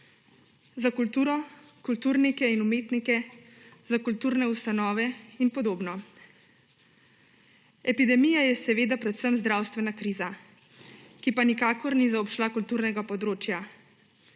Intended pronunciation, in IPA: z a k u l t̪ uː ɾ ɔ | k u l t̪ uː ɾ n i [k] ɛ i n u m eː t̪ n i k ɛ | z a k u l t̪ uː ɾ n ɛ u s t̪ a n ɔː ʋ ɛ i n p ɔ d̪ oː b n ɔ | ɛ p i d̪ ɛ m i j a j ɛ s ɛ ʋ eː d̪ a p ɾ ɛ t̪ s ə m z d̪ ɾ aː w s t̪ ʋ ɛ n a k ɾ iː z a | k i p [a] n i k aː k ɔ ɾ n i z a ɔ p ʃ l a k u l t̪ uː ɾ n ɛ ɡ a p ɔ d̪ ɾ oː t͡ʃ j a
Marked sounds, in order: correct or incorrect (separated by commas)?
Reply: correct, correct